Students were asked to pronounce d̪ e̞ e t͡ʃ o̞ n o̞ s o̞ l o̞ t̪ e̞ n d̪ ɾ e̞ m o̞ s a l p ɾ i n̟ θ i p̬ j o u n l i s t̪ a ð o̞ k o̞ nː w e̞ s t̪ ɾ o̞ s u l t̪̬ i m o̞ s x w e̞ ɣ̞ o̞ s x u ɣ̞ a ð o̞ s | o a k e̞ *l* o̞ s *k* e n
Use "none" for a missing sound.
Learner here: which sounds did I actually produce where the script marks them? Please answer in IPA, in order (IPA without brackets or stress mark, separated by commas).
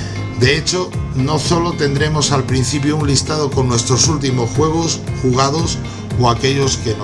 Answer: ʎ, k